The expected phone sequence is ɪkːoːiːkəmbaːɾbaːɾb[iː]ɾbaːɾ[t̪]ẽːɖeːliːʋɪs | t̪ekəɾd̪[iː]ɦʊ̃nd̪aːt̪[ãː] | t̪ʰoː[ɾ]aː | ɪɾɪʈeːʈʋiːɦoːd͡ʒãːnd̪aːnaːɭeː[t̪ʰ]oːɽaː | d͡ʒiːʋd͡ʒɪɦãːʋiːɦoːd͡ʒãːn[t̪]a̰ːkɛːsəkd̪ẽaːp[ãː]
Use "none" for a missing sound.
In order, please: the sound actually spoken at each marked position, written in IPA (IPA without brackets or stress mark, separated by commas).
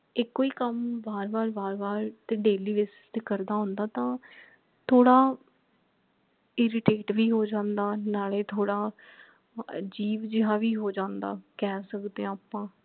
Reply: aː, t̪, aː, ãː, ɽ, t̪ʰ, d̪, ãː